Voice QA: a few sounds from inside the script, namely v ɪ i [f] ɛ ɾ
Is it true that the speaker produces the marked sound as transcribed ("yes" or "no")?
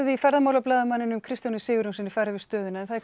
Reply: yes